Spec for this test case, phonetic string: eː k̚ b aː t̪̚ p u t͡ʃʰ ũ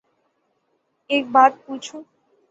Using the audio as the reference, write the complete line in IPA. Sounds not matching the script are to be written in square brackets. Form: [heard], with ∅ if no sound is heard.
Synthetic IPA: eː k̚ b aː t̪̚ p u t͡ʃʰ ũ